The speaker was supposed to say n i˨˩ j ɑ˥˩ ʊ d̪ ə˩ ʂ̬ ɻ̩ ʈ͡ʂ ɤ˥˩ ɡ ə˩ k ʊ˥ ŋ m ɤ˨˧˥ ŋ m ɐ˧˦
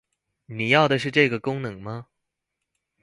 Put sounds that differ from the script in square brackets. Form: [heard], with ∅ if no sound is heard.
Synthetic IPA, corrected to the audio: n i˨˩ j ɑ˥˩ ʊ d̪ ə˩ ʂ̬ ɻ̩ ʈ͡ʂ ɤ˥˩ ɡ ə˩ k ʊ˥ ŋ [n] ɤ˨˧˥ ŋ m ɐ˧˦